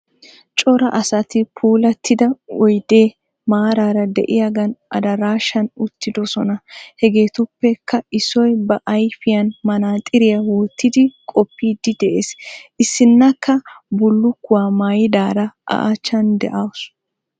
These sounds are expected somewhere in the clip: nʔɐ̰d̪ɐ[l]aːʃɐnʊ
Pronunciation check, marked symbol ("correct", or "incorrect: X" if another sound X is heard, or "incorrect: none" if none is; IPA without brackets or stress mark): incorrect: ɾ